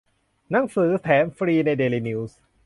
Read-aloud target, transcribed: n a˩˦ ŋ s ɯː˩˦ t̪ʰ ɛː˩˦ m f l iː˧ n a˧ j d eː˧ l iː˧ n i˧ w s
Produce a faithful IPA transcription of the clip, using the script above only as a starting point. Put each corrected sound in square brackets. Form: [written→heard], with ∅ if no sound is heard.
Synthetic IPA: n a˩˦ ŋ s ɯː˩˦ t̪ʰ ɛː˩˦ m f [l→ɾ] iː˧ n a˧ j d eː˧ l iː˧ n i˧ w s

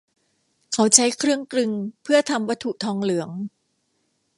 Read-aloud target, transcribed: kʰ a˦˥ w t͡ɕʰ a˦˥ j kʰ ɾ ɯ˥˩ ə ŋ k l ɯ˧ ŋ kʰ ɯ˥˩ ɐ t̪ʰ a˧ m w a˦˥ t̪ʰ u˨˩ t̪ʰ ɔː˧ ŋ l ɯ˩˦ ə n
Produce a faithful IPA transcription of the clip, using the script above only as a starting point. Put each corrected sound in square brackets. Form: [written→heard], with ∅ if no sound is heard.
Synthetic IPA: kʰ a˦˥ w t͡ɕʰ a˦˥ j kʰ ɾ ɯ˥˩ ə ŋ k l ɯ˧ ŋ [kʰ→pʰ] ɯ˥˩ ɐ t̪ʰ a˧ m w a˦˥ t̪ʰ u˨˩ t̪ʰ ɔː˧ ŋ l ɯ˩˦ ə [n→ŋ]

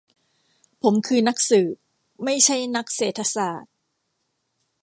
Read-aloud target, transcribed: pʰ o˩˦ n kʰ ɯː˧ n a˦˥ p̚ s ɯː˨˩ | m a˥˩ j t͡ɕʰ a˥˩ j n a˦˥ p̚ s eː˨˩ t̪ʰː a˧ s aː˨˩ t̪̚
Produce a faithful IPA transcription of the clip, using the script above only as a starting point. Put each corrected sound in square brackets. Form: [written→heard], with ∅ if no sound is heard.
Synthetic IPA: pʰ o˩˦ [n→m] kʰ ɯː˧ n a˦˥ [p̚→k̚] s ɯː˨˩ | m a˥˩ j t͡ɕʰ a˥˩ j n a˦˥ [p̚→k̚] s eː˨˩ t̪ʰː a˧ s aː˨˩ t̪̚

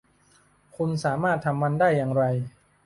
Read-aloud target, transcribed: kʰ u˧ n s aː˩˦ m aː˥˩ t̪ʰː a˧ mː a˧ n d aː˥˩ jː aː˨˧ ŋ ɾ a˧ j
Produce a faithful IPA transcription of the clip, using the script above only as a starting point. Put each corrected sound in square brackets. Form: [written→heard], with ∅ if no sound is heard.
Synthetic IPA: kʰ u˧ n s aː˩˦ m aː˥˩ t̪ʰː a˧ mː a˧ n d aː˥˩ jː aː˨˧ ŋ ɾ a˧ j

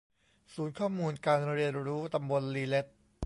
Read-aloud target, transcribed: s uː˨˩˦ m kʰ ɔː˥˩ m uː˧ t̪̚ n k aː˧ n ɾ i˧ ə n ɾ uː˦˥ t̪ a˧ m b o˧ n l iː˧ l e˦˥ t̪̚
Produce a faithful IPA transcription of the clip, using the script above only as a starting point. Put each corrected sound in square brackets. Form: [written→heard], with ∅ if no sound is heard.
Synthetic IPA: s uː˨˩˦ [m→n] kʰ ɔː˥˩ m uː˧ [t̪̚→∅] n k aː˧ n ɾ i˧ ə n ɾ uː˦˥ t̪ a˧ m b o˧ n l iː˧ l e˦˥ t̪̚

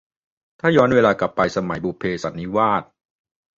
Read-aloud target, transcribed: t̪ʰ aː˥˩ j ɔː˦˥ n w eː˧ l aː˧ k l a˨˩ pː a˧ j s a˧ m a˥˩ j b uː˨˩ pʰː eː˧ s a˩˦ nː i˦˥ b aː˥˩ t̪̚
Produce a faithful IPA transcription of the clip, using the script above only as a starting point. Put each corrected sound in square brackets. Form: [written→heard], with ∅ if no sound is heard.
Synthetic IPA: t̪ʰ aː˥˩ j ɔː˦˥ n w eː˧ l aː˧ k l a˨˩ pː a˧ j s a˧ m [a˥˩→a˩˦] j b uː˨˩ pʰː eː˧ s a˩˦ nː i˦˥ [b→w] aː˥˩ t̪̚

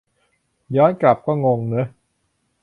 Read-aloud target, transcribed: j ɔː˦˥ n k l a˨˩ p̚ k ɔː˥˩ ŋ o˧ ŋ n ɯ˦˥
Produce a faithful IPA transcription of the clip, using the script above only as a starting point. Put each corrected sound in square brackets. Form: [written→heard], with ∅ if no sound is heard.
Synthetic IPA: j ɔː˦˥ n k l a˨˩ p̚ k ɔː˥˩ ŋ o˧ ŋ n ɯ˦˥

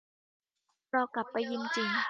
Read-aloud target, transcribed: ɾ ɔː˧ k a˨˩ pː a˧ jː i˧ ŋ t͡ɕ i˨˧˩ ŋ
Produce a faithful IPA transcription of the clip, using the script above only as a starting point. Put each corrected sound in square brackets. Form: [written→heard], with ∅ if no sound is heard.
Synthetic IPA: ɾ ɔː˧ k a˨˩ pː a˧ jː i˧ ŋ t͡ɕ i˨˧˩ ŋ

